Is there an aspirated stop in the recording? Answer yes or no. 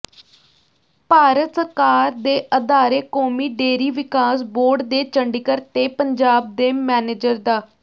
no